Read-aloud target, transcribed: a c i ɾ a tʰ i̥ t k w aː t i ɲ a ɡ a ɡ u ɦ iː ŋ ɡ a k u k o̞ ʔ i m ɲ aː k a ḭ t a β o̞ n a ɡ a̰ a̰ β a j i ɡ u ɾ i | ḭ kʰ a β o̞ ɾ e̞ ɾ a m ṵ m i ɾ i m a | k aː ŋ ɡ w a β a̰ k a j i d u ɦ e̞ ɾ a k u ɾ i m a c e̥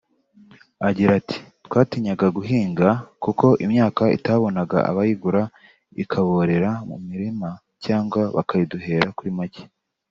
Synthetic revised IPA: a ɟ i ɾ a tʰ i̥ t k w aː t i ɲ a ɡ a ɡ u ɦ iː ŋ ɡ a k u k o̞ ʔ i m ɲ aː k a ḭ t a β o̞ n a ɡ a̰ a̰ β a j i ɡ u ɾ a | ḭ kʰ a β o̞ ɾ e̞ ɾ a m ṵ m i ɾ i m a | c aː ŋ ɡ w a β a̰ k a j i d u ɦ e̞ ɾ a k u ɾ i m a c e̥